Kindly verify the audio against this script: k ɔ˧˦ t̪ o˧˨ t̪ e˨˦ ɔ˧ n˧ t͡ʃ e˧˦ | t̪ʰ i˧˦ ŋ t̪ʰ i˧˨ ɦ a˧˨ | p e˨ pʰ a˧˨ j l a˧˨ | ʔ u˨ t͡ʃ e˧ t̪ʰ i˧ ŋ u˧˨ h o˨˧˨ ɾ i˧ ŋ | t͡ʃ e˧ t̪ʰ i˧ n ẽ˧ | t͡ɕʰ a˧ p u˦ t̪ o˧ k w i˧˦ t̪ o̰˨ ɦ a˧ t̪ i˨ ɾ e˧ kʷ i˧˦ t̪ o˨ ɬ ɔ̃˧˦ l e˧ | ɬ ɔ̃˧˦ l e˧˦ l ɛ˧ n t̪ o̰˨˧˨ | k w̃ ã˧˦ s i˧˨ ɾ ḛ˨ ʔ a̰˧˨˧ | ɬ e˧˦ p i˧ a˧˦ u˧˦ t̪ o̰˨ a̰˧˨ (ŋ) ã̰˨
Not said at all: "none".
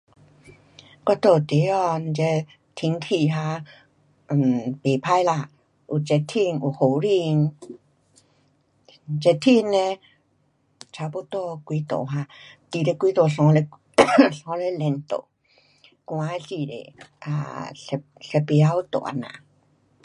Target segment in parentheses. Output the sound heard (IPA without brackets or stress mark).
n